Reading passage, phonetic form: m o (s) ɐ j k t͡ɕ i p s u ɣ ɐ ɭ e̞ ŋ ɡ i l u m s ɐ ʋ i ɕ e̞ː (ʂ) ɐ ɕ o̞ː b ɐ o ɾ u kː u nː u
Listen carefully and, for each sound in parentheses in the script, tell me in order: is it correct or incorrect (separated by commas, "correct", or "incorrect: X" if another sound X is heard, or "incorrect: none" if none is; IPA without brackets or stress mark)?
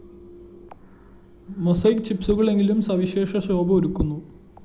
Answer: correct, correct